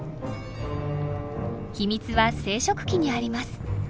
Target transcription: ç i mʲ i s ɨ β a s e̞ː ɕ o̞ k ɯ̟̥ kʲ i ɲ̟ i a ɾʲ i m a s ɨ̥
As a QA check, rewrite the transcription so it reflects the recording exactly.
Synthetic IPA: ç i mʲ i t͡s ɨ β a s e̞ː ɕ o̞ k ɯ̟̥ kʲ i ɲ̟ i a ɾʲ i m a s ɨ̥